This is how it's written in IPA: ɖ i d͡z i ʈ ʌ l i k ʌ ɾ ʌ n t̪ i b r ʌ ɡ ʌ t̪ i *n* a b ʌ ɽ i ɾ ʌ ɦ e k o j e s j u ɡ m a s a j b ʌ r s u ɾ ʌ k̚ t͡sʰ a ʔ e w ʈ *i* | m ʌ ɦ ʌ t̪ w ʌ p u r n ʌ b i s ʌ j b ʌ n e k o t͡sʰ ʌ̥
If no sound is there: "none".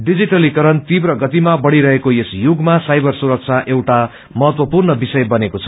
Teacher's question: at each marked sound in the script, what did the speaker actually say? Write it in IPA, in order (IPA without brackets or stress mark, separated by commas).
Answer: m, a